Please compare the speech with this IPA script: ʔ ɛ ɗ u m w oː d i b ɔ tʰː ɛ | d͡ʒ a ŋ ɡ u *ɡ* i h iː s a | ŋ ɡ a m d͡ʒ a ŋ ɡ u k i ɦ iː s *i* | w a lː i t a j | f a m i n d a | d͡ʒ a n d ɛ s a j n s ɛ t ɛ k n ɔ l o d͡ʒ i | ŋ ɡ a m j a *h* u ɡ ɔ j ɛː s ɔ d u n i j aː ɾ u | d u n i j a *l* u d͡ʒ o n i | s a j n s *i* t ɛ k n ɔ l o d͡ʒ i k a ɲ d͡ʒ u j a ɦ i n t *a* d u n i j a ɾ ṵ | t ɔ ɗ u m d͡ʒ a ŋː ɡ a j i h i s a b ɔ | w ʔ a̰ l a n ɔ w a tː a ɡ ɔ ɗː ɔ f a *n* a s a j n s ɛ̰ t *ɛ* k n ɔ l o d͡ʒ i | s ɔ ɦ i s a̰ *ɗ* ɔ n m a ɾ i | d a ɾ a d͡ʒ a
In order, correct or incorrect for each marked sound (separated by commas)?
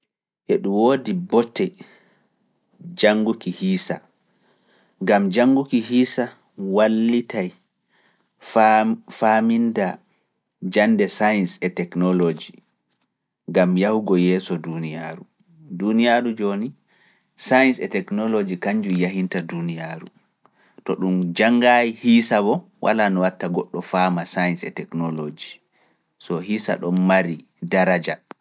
incorrect, incorrect, correct, incorrect, incorrect, correct, incorrect, correct, correct